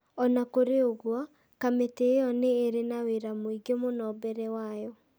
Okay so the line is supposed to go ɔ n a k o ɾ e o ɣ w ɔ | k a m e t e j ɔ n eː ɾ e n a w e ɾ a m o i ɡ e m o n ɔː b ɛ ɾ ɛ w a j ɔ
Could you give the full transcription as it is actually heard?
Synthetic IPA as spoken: ɔ n a k o ɾ e o ɣ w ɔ | k a m e t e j ɔ n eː ɾ e n a w e ɾ a m o i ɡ e m o n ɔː b ɛ ɾ ɛ w a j ɔ